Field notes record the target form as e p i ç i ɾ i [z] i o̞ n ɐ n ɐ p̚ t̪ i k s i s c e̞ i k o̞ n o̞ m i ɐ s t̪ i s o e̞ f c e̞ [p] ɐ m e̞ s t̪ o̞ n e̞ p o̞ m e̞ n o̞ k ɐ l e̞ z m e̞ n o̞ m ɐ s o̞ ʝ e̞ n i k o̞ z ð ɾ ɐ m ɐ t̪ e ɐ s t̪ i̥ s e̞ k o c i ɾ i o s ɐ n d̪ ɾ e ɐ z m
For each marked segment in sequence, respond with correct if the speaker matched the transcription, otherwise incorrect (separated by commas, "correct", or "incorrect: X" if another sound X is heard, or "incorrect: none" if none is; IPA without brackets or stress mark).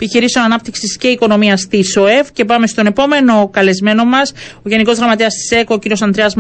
incorrect: s, correct